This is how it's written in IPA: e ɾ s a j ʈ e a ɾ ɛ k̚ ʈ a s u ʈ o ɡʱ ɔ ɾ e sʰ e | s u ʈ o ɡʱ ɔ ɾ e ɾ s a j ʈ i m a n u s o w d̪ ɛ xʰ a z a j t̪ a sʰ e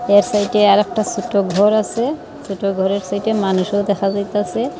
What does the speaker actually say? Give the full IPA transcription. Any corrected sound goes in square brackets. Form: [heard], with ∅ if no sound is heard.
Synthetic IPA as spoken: e ɾ s a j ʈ e a ɾ ɛ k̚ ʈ a s u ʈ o ɡʱ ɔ ɾ [a] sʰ e | s u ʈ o ɡʱ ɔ ɾ e ɾ s a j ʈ [e] m a n u [ʃ] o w d̪ ɛ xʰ a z a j t̪ a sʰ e